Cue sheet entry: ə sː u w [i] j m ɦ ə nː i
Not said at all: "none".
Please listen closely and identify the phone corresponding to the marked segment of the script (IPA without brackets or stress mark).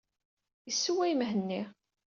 æ